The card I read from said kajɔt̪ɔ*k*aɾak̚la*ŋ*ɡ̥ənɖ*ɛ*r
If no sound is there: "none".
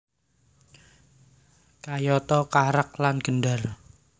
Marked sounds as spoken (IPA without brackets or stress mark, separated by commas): k, n, a